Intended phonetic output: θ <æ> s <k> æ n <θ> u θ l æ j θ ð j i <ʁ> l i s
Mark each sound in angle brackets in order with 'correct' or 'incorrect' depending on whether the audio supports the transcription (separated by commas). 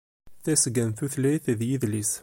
correct, incorrect, correct, incorrect